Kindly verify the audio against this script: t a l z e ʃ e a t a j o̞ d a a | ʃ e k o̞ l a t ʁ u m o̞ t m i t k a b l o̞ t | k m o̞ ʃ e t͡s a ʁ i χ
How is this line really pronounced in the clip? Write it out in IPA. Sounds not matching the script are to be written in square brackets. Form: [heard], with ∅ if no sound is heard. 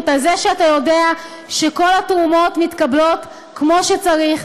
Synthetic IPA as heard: t a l z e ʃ e a t a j o̞ d [e] a | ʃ e k o̞ l a t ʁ u m o̞ t m i t k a b l o̞ t | k m o̞ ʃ e t͡s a ʁ i χ

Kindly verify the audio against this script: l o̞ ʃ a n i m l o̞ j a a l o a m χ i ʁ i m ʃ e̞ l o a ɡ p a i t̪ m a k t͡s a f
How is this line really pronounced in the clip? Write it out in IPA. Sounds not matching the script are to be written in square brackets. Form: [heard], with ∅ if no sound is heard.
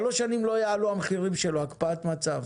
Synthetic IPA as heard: l o̞ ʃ a n i m l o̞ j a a l [u] a m χ i ʁ i m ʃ e̞ l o a [k] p a [a] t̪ m a [∅] t͡s a [v]

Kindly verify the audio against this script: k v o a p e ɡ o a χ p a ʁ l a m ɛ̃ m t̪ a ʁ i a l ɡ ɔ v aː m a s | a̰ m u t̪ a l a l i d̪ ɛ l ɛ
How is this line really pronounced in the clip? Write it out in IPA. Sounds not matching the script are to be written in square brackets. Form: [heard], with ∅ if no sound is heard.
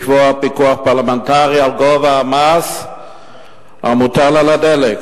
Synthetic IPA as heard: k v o a p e [k] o a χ p a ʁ l a m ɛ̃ [n] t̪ a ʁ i a l ɡ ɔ v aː m a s | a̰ m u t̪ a l a l [a] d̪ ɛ l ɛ

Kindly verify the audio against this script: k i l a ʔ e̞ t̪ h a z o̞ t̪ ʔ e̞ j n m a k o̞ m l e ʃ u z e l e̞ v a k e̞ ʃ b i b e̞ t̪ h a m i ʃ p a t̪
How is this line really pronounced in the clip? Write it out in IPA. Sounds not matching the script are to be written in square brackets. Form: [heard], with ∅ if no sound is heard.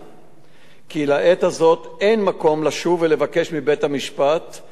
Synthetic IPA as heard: k i l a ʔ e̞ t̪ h a z o̞ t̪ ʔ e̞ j n m a k o̞ m l [a] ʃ u [v] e l e̞ v a k e̞ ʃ [m] i b e̞ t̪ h a m i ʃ p a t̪

